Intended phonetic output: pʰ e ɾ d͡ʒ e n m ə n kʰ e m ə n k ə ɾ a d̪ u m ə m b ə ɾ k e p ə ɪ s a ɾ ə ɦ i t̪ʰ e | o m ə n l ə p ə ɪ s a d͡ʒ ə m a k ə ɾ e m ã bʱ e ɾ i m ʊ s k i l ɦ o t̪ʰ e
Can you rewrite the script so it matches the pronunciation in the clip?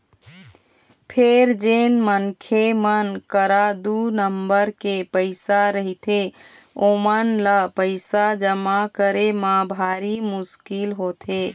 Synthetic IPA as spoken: pʰ e ɾ d͡ʒ e n m ə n kʰ e m ə n k ə ɾ a d̪ u n ə m b ə ɾ k e p ə ɪ s a ɾ ə ɦ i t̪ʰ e | o m ə n l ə p ə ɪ s a d͡ʒ ə m a k ə ɾ e m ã bʱ a ɾ i m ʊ s k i l ɦ o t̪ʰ e